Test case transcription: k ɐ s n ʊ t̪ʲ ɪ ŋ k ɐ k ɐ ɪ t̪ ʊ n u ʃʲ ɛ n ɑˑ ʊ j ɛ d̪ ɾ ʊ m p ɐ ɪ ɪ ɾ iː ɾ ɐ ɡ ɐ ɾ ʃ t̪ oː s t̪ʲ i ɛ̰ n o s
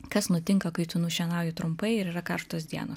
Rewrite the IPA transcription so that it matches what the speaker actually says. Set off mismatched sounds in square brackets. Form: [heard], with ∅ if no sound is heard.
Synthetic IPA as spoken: k ɐ s n ʊ t̪ʲ ɪ ŋ k ɐ k ɐ ɪ t̪ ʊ n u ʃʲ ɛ n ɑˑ ʊ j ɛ [t̪] ɾ ʊ m p ɐ ɪ ɪ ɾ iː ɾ ɐ [k] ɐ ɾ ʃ t̪ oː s [d̪ʲ] i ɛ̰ n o s